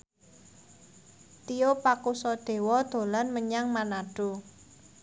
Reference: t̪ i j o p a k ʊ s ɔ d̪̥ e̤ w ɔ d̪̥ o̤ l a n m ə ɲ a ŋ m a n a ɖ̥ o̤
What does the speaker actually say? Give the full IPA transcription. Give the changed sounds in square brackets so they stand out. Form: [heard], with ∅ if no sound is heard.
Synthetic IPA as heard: t̪ i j o p a k [u] s ɔ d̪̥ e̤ w ɔ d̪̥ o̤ l a n m ə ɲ a ŋ m a n a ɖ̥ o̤

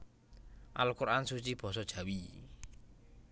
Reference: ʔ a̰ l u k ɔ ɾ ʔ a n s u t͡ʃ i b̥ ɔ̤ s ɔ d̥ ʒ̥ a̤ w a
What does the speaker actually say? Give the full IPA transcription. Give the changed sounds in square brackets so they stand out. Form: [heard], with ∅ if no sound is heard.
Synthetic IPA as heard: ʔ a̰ l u k [u] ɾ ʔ a n s u t͡ʃ i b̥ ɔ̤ s ɔ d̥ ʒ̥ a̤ w [i]

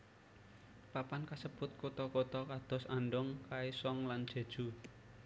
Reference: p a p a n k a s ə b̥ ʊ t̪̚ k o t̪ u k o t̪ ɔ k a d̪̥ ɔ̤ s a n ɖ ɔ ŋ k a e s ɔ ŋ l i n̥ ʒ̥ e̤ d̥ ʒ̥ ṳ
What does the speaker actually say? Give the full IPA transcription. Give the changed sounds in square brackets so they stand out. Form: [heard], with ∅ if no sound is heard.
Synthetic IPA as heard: p a p a n k a s ə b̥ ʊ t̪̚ k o t̪ [ɔ] k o t̪ ɔ k a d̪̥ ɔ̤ s a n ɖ ɔ ŋ k a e s ɔ ŋ l [a] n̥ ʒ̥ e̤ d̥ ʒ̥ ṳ

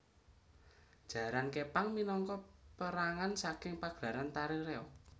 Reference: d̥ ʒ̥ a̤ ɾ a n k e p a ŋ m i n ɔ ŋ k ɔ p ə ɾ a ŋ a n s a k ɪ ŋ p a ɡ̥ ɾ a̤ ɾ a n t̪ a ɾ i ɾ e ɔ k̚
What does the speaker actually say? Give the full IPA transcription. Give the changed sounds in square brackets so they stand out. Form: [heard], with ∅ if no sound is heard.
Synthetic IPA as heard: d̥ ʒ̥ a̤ ɾ a n k e p a ŋ m i n ɔ ŋ k ɔ p ə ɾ a ŋ a n s a k ɪ ŋ p a ɡ̥ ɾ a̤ ɾ a n t̪ a ɾ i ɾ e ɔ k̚

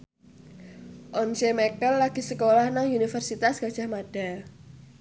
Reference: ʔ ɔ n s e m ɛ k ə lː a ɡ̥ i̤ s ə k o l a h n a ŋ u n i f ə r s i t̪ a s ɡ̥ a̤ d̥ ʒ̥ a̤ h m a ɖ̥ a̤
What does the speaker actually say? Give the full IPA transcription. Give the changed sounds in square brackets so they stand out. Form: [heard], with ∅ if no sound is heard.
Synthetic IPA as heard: ʔ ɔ n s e m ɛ k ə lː a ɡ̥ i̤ s ə k o l a h n a ŋ u n i f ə r s i t̪ a s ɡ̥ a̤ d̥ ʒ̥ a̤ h m a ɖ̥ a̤

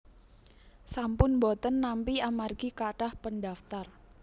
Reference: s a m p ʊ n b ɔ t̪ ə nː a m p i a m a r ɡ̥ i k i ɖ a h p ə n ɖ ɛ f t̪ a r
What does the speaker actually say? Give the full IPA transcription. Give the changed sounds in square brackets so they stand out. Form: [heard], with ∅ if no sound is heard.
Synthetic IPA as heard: s a m p ʊ n b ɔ t̪ ə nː a m p i a m a r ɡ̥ i k [a] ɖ a h p ə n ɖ [a] f t̪ a r

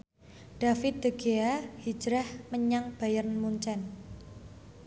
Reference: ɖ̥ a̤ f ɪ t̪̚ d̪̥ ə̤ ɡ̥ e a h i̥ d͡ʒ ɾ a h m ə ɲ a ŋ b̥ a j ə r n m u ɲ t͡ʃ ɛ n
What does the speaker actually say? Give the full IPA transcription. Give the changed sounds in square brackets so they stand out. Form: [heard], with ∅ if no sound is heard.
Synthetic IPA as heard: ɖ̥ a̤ f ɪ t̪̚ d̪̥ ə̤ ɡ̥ e a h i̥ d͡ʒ ɾ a h m ə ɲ a ŋ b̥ a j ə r n m u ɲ t͡ʃ ɛ n

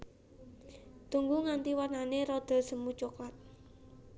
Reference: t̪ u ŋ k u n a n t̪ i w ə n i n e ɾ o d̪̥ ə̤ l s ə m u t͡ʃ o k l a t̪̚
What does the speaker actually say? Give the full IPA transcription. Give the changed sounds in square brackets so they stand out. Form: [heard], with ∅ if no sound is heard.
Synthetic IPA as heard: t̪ u ŋ [ɡ] u [ŋ] a n t̪ i w [a] n [a] n e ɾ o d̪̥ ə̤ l s ə m u t͡ʃ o k l a t̪̚

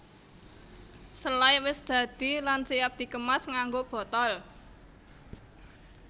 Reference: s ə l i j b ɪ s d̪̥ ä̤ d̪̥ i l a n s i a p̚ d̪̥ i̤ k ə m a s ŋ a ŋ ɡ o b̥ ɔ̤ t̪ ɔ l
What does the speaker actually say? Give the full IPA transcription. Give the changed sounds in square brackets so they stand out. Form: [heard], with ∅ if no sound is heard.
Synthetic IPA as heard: s ə l [a] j [w] ɪ s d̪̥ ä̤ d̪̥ i l a n s i a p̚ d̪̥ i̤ k ə m a s ŋ a ŋ ɡ o b̥ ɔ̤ t̪ ɔ l

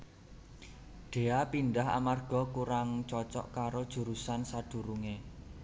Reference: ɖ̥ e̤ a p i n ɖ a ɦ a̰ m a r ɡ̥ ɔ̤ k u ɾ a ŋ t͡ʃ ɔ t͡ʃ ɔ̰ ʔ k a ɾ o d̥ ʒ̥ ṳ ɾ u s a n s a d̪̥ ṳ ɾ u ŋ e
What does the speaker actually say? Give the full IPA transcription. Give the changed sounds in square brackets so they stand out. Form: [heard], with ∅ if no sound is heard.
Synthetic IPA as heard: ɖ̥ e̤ a p i n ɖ a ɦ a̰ m a r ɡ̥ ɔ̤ k u ɾ a ŋ t͡ʃ ɔ t͡ʃ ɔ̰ ʔ k a ɾ o d̥ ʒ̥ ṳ ɾ u s a n s a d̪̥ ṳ ɾ u ŋ e

